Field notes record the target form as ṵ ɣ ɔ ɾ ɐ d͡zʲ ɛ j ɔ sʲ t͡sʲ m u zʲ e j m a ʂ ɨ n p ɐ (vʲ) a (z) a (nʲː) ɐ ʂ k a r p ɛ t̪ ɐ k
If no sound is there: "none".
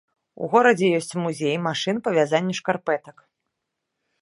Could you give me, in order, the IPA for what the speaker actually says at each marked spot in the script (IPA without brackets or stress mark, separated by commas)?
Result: vʲ, z, nʲː